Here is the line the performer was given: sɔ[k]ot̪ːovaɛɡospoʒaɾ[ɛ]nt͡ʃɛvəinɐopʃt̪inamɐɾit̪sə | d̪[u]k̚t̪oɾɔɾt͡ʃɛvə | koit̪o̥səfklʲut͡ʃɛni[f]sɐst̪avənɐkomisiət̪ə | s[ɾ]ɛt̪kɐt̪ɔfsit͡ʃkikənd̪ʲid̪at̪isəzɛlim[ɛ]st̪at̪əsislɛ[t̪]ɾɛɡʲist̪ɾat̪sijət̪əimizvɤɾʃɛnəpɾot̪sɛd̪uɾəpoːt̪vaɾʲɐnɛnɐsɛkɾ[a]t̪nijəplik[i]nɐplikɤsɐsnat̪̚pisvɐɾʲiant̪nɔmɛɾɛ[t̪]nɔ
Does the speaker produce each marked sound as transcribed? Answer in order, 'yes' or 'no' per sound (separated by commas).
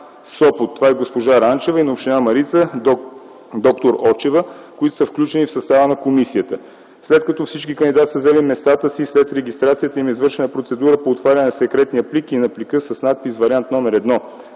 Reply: no, no, no, yes, no, yes, yes, no, yes, no